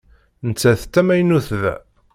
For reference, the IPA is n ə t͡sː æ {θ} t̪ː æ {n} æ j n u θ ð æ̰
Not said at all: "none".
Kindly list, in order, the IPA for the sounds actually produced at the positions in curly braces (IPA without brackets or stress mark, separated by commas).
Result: θ, m